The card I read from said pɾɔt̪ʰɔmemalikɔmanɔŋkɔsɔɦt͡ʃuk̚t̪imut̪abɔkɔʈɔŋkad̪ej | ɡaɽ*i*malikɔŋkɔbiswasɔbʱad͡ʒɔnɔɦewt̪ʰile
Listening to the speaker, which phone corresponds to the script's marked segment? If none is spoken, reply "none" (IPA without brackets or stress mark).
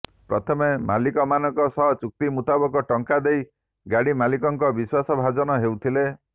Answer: i